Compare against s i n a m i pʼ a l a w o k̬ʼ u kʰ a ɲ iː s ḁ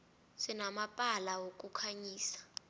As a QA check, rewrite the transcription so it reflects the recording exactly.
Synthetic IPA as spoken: s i n a m a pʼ a l a w o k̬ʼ u kʰ a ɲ iː s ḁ